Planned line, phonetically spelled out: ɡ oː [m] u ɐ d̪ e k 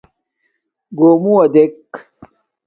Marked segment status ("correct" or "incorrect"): correct